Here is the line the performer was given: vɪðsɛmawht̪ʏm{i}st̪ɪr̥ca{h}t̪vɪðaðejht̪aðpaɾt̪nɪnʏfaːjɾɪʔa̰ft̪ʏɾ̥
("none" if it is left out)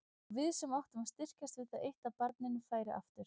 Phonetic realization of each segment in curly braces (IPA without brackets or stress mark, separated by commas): a, s